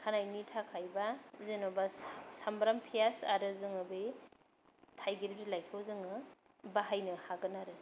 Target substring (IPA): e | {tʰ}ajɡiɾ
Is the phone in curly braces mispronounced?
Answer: no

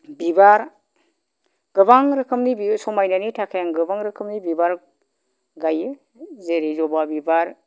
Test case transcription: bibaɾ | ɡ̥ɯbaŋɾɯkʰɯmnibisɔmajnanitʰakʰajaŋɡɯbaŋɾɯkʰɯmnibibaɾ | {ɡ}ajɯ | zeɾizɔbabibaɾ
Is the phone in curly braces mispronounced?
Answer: no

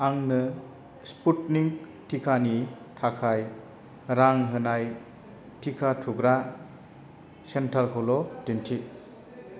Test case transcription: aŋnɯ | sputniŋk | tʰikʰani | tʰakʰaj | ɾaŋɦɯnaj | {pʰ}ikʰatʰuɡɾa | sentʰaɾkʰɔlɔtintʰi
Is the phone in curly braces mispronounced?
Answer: yes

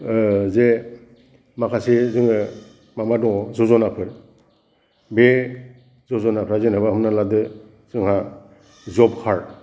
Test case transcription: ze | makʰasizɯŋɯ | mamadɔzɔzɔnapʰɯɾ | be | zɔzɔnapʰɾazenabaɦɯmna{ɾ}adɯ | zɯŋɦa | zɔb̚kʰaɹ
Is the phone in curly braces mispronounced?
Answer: yes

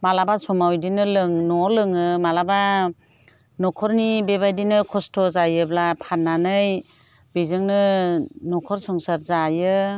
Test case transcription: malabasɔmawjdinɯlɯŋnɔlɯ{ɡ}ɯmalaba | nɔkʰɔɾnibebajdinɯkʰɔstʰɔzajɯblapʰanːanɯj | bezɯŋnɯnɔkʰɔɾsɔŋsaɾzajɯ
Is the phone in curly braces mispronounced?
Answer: yes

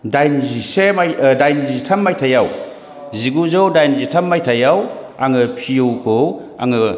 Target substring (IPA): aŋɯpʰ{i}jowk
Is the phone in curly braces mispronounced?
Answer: no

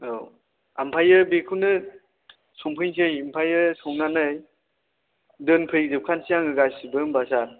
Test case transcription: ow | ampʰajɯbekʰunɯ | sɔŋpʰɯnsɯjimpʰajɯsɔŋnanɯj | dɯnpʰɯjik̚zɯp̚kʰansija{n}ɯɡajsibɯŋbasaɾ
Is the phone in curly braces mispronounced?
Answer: yes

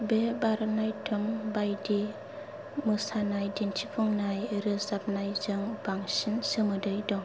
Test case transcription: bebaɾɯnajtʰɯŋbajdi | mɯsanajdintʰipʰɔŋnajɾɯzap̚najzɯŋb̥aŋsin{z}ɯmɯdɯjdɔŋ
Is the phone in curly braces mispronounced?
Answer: yes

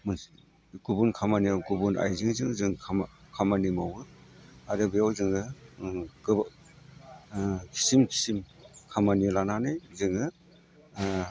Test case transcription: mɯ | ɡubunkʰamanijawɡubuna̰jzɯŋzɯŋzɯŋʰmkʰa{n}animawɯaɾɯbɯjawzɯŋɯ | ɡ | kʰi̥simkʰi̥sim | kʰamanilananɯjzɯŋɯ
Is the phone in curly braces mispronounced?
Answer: yes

